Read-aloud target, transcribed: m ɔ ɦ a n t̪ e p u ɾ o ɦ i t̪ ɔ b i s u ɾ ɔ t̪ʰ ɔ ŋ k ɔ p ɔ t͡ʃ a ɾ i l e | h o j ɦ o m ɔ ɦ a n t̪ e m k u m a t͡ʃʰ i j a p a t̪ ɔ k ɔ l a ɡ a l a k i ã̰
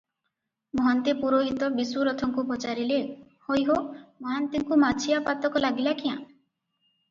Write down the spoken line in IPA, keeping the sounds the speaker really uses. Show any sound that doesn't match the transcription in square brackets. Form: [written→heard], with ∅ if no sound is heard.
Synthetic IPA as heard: m ɔ ɦ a n t̪ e p u ɾ o ɦ i t̪ ɔ b i s u ɾ ɔ t̪ʰ ɔ ŋ k [ɔ→u] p ɔ t͡ʃ a ɾ i l e | h o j ɦ o m ɔ ɦ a n t̪ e [m→ŋ] k u m a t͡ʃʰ i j a p a t̪ ɔ k ɔ l a ɡ [a→i] l a k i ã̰